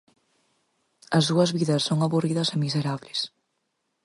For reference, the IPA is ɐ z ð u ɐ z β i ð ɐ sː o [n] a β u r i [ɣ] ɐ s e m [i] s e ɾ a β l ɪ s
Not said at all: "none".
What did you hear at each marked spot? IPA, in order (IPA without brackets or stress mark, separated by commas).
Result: ŋ, ð, i